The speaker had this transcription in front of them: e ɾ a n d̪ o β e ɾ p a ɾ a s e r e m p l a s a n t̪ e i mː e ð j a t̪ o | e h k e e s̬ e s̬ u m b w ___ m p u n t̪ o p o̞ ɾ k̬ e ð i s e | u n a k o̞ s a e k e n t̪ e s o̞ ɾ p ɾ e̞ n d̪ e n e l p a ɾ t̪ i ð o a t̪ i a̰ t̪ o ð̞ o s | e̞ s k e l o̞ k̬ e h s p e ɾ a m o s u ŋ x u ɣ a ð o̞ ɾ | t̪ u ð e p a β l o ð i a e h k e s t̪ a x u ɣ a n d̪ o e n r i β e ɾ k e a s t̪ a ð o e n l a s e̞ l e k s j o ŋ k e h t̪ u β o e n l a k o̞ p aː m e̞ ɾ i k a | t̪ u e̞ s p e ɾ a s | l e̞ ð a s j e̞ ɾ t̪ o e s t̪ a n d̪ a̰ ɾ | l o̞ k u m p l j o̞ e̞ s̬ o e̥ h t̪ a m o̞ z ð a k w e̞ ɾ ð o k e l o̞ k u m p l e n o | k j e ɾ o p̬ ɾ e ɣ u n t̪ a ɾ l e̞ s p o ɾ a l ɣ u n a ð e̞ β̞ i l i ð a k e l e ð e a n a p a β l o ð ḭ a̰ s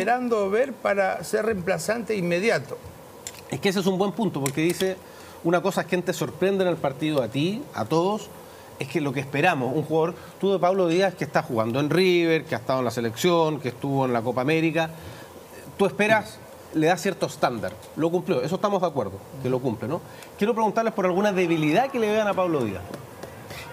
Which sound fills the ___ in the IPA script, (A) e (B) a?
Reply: A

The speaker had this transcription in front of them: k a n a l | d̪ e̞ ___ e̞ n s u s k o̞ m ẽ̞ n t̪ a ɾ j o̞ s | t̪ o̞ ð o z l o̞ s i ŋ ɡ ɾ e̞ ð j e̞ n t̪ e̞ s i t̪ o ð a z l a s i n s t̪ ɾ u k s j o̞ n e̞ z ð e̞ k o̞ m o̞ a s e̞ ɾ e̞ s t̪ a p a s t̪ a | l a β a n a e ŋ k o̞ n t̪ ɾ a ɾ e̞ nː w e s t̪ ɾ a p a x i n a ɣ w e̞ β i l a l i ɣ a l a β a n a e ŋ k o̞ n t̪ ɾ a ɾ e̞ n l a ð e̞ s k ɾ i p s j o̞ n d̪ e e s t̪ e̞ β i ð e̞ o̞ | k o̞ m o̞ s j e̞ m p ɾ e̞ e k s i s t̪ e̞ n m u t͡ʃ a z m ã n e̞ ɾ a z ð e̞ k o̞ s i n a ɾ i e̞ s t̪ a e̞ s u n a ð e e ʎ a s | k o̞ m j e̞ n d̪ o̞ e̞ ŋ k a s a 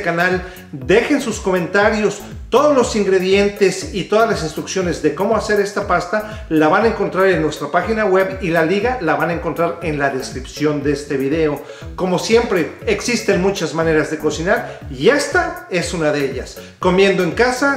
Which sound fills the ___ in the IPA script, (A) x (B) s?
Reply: A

